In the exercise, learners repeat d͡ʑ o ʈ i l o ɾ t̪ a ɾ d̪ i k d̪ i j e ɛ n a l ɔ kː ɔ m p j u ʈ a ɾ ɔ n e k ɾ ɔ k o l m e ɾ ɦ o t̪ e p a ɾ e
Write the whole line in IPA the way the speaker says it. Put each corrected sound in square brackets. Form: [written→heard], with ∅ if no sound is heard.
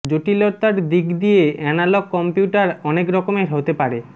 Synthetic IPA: d͡ʑ o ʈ i l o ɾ t̪ a ɾ d̪ i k d̪ i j e ɛ n a l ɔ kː ɔ m p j u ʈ a ɾ ɔ n e k ɾ ɔ k o [l→∅] m e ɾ ɦ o t̪ e p a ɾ e